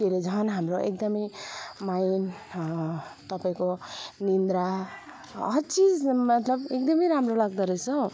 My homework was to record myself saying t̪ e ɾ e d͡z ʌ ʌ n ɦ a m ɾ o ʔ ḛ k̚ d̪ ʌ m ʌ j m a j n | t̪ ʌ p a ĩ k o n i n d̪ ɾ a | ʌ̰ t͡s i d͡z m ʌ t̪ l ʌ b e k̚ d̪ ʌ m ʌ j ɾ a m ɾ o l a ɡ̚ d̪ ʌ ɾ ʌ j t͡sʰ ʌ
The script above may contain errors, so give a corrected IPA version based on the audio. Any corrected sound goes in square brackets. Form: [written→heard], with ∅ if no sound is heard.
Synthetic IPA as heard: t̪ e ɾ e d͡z ʌ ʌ n ɦ a m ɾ o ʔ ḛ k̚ d̪ ʌ m ʌ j m a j n | t̪ ʌ p a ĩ k o n i n d̪ ɾ a | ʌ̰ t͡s i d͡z m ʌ t̪ l ʌ b e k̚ d̪ ʌ m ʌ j ɾ a m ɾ o l a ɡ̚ d̪ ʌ ɾ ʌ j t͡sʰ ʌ

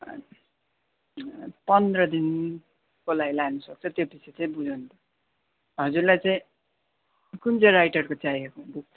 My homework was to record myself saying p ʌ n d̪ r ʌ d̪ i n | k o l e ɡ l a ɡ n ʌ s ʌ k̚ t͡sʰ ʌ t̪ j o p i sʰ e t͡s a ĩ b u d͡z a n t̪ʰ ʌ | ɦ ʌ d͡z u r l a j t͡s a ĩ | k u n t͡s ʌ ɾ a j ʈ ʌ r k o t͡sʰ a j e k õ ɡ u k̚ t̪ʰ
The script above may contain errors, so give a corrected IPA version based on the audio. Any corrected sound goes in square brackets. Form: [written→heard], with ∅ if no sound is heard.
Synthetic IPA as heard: p ʌ n d̪ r ʌ d̪ i n | k o l [e→a] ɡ l a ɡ n ʌ s ʌ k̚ t͡sʰ ʌ t̪ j o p i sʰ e t͡s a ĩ b u d͡z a n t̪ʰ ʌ | ɦ ʌ d͡z u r l a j t͡s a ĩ | k u n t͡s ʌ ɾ a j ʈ ʌ r k o [t͡sʰ→t͡s] a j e k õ [ɡ→b] u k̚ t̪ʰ

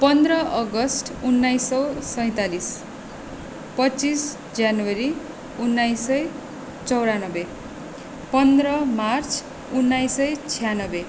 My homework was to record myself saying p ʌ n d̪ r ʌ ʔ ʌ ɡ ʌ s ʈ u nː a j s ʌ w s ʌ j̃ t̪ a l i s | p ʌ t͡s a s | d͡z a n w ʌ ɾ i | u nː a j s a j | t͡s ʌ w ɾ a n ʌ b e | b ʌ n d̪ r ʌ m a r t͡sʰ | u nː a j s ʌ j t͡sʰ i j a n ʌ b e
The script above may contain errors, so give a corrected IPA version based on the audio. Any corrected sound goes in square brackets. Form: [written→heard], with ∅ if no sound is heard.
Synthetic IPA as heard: p ʌ n d̪ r ʌ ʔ ʌ ɡ ʌ s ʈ u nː a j s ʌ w s ʌ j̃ t̪ a l i s | p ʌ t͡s [a→i] s | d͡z a n w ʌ ɾ i | u nː a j s [a→ʌ] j | t͡s ʌ w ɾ a n ʌ b e | [b→p] ʌ n d̪ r ʌ m a r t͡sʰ | u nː a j s ʌ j t͡sʰ i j a n ʌ b e

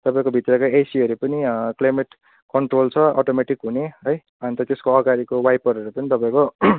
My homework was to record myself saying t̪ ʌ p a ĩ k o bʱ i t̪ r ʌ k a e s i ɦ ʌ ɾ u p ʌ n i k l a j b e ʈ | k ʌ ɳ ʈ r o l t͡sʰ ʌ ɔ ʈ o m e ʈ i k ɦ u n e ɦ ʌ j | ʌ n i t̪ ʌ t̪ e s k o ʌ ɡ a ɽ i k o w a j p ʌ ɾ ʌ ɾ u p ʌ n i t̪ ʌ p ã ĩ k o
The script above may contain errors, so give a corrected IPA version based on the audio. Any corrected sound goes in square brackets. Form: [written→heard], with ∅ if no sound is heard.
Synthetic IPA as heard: t̪ ʌ p a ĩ k o bʱ i t̪ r ʌ k a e s i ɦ ʌ ɾ u p ʌ n i k l a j [b→m] e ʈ | k ʌ ɳ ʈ r o l t͡sʰ ʌ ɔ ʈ o m e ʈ i k ɦ u n e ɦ ʌ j | ʌ n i t̪ ʌ t̪ e s k o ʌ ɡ a [ɽ→ɾ] i k o w a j p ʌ ɾ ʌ ɾ u p ʌ n i t̪ ʌ p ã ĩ k o

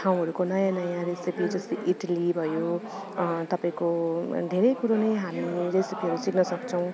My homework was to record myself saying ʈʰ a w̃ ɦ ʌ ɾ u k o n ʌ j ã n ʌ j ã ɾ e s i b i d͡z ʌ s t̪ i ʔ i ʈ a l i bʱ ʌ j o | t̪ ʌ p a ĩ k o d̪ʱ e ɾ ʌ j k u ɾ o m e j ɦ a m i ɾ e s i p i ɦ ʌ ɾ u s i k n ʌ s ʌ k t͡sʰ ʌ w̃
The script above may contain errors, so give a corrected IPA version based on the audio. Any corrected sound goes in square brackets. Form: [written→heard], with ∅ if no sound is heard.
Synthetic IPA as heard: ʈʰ a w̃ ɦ ʌ ɾ u k o n ʌ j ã n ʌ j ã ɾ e s i [b→p] i d͡z ʌ s t̪ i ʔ i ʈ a l i bʱ ʌ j o | t̪ ʌ p a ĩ k o d̪ʱ e ɾ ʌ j k u ɾ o [m→n] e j ɦ a m i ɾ e s i p i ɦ ʌ ɾ u s i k n ʌ s ʌ k t͡sʰ ʌ w̃

